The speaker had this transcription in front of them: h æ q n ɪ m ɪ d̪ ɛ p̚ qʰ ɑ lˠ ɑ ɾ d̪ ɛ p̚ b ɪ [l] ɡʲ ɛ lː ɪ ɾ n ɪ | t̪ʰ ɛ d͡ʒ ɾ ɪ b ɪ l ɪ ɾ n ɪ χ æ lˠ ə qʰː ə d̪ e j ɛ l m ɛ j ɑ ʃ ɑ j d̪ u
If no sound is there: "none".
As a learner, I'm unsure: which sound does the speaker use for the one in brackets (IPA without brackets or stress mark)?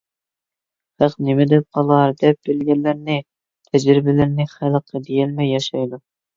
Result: l